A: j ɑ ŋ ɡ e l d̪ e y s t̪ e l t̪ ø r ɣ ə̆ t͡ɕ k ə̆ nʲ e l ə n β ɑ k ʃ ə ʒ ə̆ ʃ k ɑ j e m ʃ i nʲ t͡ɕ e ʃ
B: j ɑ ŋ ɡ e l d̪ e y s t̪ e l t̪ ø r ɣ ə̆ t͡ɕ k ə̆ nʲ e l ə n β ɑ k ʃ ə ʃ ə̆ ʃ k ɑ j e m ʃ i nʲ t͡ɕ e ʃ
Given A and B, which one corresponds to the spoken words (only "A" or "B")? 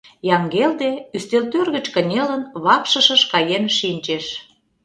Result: B